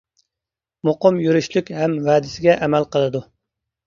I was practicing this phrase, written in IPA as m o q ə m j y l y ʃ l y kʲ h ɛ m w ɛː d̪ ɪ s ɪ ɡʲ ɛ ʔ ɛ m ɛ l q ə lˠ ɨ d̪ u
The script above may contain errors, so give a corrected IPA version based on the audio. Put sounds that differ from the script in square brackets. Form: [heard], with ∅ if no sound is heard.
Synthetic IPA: m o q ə m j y [ɾ] y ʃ l y kʲ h ɛ m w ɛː d̪ ɪ s ɪ ɡʲ ɛ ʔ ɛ m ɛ l q ə lˠ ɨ d̪ u